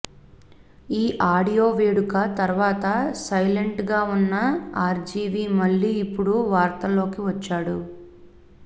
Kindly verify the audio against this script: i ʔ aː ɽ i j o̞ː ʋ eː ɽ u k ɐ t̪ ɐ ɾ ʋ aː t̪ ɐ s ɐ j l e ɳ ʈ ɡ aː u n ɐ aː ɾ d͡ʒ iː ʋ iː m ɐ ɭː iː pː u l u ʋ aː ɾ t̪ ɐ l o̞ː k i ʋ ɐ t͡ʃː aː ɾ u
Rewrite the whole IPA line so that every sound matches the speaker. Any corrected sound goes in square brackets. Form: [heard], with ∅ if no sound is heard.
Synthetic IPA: [iː] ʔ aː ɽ i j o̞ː ʋ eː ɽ u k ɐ t̪ ɐ ɾ ʋ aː t̪ ɐ s ɐ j l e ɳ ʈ ɡ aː u [nː] ɐ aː ɾ d͡ʒ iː ʋ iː m ɐ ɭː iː pː u [ɽ] u ʋ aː ɾ t̪ ɐ l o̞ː k i ʋ ɐ t͡ʃː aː [ɽ] u